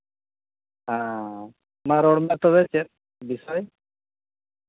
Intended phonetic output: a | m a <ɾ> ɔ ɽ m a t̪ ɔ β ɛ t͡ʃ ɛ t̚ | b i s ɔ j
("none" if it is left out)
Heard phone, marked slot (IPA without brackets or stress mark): ɾ